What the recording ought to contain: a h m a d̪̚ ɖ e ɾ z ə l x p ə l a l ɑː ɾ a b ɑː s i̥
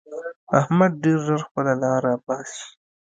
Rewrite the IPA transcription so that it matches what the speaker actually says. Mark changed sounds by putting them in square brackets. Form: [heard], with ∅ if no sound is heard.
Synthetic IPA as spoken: a h m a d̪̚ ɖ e ɾ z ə [ɾ] x p ə l a l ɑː ɾ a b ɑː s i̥